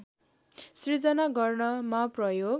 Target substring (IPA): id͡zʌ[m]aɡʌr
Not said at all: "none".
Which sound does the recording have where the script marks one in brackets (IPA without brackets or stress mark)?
n